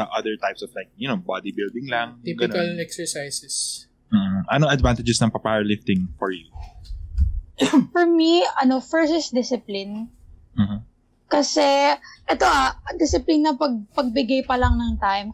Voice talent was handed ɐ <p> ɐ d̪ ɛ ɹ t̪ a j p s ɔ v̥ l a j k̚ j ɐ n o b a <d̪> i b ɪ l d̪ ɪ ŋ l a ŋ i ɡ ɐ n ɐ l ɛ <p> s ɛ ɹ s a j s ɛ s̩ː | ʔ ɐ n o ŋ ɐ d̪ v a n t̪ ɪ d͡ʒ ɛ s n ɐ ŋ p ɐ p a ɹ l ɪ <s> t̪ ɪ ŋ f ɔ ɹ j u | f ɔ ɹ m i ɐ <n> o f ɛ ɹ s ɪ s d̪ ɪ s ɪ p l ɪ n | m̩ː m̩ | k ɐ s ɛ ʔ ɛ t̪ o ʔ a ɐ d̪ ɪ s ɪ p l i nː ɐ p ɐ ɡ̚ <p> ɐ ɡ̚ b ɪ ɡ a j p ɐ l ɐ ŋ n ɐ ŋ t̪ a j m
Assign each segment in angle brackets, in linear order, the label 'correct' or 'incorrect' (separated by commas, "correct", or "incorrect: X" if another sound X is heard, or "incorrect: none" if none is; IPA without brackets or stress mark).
incorrect: ʔ, correct, incorrect: k, incorrect: f, correct, correct